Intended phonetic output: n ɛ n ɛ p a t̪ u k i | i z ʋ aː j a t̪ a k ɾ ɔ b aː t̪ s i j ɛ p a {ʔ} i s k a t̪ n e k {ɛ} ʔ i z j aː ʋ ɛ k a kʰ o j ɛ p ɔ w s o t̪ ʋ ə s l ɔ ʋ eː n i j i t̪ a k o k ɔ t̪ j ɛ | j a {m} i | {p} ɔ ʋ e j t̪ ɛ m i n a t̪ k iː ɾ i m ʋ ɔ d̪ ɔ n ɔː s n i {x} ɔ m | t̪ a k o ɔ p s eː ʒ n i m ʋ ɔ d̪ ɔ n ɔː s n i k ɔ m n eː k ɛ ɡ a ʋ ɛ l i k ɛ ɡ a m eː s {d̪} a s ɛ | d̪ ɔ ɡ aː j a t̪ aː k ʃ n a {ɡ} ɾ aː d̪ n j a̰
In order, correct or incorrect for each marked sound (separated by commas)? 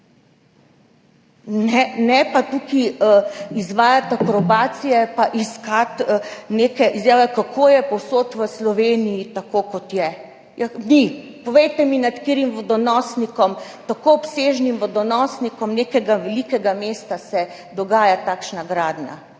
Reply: correct, correct, incorrect, correct, incorrect, incorrect, correct